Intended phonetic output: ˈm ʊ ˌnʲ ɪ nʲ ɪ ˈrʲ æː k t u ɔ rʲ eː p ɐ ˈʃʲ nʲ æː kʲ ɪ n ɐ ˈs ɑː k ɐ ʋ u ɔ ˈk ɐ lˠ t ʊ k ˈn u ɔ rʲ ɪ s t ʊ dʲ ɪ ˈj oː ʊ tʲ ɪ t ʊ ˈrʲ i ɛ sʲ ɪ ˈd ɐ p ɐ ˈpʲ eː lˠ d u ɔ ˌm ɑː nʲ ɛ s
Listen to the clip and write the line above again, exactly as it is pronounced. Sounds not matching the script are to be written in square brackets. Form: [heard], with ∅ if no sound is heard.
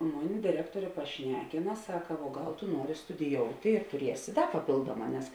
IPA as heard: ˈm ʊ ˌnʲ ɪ [dʲ] ɪ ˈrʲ æː k t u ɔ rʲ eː p ɐ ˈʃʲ nʲ æː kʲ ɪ n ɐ ˈs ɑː k ɐ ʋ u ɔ [ˈɡ] ɐ lˠ t ʊ [∅] ˈn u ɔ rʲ ɪ s t ʊ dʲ ɪ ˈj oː ʊ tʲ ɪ t ʊ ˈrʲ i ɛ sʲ ɪ ˈd ɐ p ɐ ˈpʲ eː lˠ d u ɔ ˌm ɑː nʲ ɛ s